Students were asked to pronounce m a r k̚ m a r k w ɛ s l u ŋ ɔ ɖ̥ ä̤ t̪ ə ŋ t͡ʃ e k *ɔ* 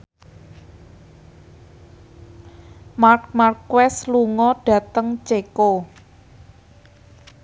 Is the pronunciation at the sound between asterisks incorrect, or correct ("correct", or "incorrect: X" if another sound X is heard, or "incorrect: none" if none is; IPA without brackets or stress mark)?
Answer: incorrect: o